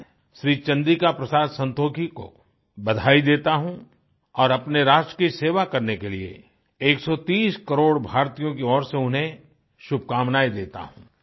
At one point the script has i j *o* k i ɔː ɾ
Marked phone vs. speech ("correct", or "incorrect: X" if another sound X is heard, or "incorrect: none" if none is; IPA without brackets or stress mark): incorrect: õ